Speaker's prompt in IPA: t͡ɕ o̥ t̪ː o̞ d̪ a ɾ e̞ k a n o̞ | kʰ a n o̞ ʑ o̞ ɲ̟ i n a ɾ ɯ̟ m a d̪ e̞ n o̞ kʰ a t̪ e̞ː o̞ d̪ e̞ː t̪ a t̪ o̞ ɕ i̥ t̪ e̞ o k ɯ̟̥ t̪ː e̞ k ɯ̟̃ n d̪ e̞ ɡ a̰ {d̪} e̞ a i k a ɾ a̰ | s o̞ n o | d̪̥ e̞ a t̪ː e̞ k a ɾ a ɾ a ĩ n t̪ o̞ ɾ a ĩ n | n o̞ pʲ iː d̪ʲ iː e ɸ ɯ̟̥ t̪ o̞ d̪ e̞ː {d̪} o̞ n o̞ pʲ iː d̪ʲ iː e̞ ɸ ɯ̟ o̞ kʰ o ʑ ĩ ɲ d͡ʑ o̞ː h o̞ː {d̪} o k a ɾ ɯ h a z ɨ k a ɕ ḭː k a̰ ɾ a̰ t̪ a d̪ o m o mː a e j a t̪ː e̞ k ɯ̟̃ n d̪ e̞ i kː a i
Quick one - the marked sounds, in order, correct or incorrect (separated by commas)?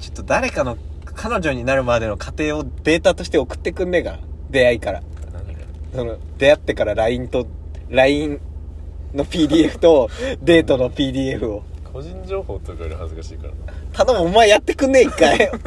correct, incorrect, incorrect